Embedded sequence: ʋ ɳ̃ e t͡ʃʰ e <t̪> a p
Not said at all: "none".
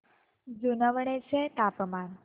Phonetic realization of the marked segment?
t̪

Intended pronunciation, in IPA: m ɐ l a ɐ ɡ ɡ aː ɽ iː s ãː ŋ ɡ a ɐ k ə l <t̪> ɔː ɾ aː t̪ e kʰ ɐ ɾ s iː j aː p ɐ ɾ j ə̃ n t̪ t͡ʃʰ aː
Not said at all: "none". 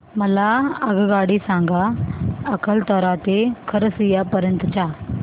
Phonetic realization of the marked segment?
t̪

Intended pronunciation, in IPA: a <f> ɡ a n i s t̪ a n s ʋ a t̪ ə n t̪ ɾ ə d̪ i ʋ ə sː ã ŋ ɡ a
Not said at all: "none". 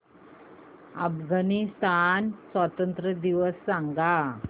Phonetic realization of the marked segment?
f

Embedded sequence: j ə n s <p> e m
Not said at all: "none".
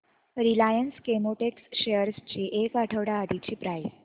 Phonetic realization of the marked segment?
k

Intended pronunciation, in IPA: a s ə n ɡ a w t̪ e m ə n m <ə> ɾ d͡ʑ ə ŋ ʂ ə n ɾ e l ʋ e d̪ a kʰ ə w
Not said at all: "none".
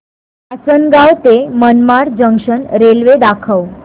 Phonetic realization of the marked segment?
a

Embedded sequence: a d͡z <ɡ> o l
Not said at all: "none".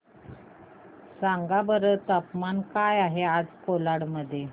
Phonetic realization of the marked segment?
k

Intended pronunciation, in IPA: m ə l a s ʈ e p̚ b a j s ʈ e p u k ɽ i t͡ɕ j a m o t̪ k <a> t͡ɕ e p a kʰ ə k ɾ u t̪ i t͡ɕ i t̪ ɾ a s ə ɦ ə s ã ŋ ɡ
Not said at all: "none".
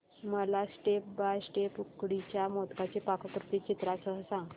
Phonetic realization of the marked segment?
a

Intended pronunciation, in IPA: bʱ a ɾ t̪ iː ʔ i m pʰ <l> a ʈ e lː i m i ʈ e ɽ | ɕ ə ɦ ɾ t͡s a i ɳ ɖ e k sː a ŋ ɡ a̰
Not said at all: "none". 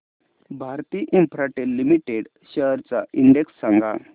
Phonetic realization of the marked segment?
ɾ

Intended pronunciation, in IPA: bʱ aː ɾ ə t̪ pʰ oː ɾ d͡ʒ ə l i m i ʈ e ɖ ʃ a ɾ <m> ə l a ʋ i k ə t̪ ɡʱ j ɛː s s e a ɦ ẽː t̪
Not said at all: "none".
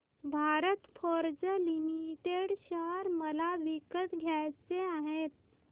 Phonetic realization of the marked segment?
m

